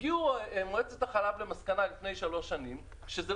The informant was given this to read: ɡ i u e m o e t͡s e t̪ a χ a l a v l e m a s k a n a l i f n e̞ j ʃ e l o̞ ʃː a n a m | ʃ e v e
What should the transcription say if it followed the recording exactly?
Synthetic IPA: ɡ i u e m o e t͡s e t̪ a χ a l a v l e m a s k a n a l i f n e̞ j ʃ a l o̞ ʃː a n i m | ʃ e z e